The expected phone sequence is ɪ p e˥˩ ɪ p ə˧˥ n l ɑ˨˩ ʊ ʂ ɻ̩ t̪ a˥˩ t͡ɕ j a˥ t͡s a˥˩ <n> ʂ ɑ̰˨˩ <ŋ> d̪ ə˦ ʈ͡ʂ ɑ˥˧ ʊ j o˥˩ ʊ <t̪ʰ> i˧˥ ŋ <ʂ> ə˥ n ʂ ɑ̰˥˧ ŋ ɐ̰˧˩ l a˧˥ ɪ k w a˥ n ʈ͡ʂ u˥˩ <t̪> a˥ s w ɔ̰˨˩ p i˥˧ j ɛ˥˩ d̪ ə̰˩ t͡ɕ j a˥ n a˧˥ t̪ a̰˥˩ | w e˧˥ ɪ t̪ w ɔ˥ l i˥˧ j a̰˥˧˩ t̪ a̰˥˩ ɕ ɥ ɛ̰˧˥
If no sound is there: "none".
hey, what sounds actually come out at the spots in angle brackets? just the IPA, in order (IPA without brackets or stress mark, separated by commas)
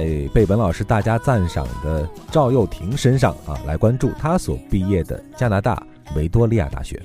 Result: n, ŋ, t̪ʰ, ʂ, t̪ʰ